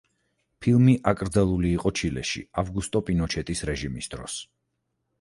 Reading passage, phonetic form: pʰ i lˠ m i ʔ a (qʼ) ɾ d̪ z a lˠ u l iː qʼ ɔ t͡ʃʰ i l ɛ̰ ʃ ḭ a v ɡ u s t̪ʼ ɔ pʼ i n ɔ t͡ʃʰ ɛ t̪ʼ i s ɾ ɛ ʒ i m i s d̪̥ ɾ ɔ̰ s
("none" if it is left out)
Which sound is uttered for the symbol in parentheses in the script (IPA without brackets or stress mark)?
kʼ